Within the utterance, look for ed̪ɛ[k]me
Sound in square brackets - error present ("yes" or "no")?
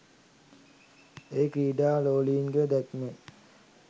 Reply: no